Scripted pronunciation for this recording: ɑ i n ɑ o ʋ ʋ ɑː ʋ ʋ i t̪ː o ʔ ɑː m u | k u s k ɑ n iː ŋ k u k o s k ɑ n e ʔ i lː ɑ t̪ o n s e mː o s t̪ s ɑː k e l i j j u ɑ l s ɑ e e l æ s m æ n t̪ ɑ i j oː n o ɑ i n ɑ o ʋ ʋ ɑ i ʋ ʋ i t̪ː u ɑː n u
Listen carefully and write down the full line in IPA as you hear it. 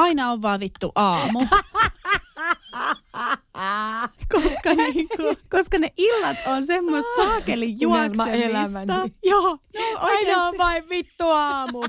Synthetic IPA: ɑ i n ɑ o ʋ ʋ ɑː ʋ ʋ i t̪ː u ʔ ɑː m u | k o s k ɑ n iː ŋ k u k o s k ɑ n e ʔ i lː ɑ t̪ o n s e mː o s t̪ s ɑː k e l i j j u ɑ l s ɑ e e l æ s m æ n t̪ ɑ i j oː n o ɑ i n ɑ o ʋ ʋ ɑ i ʋ ʋ i t̪ː u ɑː m u